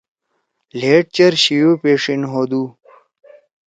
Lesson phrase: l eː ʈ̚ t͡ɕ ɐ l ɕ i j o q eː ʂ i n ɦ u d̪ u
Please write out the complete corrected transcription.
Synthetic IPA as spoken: l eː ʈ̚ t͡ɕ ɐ ɾ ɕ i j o p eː ʂ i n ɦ o d̪ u